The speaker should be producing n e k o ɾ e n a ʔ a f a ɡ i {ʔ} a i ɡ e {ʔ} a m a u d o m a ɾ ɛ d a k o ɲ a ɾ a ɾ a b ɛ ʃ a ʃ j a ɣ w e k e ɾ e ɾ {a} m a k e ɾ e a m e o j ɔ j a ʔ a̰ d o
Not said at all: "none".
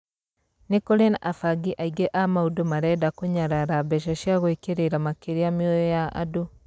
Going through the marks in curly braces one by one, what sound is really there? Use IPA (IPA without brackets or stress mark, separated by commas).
ʔ, ʔ, a